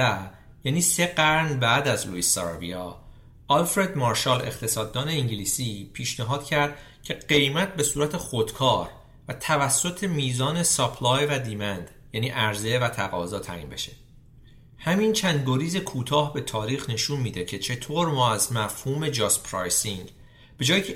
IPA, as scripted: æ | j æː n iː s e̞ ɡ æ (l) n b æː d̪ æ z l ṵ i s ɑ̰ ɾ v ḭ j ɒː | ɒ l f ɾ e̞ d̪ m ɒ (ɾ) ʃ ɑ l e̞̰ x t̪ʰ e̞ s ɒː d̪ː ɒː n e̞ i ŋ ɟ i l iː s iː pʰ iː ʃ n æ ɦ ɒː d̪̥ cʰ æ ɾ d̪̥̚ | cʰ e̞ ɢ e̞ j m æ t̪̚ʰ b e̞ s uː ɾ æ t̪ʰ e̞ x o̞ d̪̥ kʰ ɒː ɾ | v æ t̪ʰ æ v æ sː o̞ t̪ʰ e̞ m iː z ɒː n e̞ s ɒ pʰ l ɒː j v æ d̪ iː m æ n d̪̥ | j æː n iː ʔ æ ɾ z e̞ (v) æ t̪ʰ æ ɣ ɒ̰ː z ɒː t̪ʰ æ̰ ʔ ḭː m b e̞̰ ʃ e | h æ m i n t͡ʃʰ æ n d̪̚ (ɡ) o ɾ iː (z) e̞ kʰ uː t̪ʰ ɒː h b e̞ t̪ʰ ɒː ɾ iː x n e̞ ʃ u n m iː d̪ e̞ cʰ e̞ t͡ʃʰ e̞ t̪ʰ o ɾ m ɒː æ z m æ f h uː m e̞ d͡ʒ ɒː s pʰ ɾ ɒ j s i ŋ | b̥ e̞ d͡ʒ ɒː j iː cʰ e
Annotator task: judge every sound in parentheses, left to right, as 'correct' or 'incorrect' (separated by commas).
incorrect, correct, correct, correct, correct